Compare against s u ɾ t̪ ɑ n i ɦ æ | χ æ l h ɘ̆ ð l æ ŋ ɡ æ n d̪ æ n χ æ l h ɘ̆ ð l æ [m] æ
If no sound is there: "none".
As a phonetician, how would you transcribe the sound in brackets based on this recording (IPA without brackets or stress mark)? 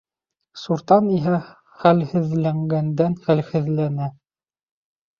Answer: n